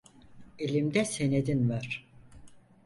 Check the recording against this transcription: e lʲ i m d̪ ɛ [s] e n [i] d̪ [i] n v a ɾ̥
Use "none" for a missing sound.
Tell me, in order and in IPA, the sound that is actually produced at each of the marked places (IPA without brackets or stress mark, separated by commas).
s, e, i